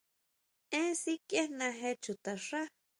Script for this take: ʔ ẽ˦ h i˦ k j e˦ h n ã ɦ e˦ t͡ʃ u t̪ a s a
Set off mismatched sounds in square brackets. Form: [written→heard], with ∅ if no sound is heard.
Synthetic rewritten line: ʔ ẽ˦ [h→s] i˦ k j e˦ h n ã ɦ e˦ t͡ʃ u t̪ a [s→ʂ] a